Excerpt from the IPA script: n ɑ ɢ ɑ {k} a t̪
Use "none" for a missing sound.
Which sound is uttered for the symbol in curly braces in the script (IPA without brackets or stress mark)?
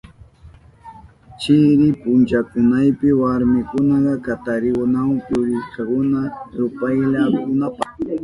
k